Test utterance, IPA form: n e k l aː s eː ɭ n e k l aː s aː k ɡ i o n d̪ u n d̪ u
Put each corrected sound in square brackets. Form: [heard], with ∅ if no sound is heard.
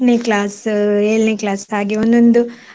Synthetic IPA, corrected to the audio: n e k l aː s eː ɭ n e k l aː s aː [∅] ɡ i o n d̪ [o] n d̪ u